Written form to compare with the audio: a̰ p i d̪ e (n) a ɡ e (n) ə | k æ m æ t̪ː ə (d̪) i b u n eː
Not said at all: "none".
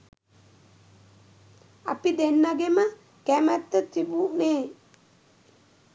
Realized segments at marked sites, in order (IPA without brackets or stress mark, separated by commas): nː, m, t̪